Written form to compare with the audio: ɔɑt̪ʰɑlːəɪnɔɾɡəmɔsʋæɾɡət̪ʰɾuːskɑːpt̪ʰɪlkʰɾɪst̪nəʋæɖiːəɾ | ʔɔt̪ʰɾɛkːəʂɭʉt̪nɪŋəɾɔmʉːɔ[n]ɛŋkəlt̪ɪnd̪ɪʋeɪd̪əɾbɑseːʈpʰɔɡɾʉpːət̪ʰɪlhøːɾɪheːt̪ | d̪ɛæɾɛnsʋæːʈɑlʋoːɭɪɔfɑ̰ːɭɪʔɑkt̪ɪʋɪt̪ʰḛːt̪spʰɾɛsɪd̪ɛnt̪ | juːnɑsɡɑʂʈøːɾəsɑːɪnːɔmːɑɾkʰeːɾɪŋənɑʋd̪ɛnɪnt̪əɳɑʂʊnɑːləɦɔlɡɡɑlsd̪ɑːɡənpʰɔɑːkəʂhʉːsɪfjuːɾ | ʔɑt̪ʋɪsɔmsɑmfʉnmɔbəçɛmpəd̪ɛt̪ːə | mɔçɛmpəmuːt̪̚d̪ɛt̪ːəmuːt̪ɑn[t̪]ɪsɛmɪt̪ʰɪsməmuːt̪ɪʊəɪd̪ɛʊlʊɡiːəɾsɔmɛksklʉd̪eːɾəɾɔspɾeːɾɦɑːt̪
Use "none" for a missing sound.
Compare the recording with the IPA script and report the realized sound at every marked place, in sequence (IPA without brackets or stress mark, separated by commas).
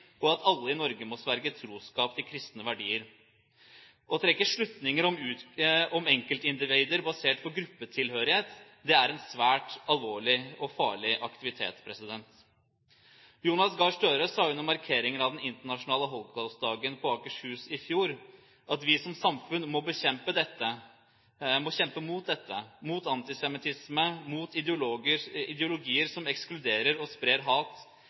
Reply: m, t̪